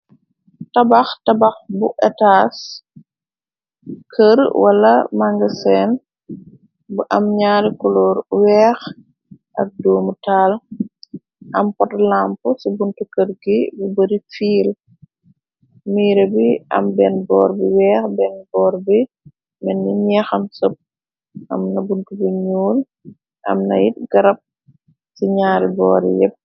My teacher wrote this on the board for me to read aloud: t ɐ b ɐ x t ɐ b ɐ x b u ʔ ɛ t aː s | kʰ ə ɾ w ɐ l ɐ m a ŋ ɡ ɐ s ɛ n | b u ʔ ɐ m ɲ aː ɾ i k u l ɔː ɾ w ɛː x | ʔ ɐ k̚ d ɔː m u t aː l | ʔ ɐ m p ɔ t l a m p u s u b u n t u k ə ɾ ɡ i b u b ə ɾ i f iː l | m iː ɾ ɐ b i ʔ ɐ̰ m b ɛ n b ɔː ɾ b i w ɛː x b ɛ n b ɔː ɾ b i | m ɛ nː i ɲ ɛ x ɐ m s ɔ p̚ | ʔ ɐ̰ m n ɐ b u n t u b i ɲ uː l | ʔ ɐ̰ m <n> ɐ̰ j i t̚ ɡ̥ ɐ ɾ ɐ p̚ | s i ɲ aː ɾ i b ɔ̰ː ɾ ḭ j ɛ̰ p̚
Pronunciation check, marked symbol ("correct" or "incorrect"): correct